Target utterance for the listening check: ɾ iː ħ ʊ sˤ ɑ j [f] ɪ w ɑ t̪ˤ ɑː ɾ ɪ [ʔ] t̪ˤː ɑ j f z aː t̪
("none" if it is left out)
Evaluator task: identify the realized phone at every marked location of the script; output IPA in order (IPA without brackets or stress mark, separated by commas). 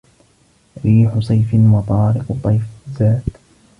f, q